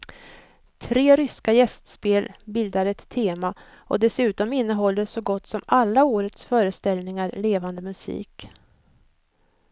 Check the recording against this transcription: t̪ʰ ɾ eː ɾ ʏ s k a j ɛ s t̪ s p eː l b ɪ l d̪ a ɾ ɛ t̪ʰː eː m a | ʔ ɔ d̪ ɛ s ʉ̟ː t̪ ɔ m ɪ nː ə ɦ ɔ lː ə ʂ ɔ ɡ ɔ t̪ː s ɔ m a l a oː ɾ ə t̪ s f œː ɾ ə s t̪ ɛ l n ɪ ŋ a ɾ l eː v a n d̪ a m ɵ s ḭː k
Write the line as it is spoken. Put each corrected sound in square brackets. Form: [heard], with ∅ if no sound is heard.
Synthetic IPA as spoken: t̪ʰ ɾ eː ɾ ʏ s k a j ɛ s t̪ s p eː l b ɪ l d̪ a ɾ ɛ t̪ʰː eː m a | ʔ ɔ d̪ ɛ s ʉ̟ː t̪ ɔ m ɪ nː ə ɦ ɔ lː ə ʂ ɔ ɡ ɔ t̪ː s ɔ m a [lː] a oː ɾ ə t̪ s f œː ɾ ə s t̪ ɛ l n ɪ ŋ a ɾ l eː v a n d̪ [ə] m ɵ s ḭː k